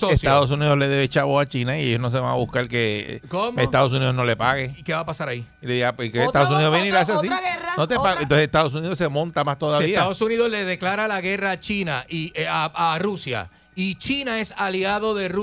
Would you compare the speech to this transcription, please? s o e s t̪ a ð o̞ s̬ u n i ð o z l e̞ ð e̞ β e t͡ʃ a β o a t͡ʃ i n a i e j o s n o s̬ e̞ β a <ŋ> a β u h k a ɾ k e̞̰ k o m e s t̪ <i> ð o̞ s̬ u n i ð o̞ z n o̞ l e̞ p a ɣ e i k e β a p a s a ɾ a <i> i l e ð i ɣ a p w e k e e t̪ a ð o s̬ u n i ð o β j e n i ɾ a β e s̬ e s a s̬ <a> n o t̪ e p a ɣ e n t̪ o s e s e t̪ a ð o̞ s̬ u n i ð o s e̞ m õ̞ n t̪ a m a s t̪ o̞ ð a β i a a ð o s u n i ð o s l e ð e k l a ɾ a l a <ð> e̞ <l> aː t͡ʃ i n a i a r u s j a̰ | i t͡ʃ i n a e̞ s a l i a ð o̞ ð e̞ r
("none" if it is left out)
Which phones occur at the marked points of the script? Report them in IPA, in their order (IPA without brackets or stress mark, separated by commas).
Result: ŋ, a, i, i, ɣ, r